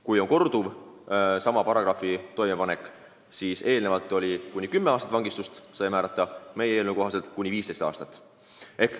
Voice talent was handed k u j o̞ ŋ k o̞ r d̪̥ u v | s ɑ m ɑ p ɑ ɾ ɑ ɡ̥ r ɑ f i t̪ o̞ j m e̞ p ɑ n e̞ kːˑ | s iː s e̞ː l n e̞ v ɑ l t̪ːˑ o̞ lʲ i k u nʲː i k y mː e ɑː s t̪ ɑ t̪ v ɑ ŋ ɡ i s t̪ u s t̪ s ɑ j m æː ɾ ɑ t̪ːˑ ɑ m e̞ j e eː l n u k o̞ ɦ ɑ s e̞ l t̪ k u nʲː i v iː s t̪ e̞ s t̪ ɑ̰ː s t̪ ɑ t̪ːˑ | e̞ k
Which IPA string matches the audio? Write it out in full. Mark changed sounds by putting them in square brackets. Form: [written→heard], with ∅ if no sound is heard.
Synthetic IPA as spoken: k u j o̞ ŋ k o̞ r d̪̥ u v | s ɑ m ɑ p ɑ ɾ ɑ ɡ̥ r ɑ f i t̪ o̞ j m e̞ p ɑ n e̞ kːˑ | s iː s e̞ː l n e̞ v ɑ l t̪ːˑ o̞ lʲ i k u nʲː i k y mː e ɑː s t̪ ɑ t̪ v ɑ ŋ ɡ i s t̪ u s t̪ s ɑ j m æː ɾ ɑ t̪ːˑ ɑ m e̞ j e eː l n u k o̞ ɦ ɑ s e̞ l t̪ k u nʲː i v iː s t̪ e̞ s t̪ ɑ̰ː s t̪ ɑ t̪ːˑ | e̞ k